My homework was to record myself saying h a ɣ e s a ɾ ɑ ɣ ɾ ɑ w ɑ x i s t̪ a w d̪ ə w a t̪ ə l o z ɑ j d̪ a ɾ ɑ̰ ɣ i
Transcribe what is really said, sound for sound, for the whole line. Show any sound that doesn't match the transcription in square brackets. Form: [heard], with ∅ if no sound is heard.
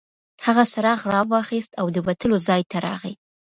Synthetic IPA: h a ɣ [a] s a ɾ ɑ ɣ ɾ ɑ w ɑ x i s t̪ a w d̪ ə w a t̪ ə l o z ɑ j [t̪] a ɾ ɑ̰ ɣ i